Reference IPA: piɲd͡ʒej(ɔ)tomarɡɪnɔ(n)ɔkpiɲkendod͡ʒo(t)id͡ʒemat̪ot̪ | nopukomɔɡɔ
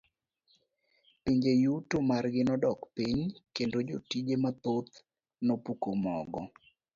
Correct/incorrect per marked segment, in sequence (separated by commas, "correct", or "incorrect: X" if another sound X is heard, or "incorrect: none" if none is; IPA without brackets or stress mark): incorrect: u, incorrect: d, correct